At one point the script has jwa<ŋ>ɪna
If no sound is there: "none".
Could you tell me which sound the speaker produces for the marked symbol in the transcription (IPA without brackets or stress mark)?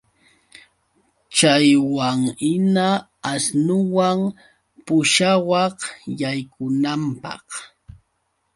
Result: ŋ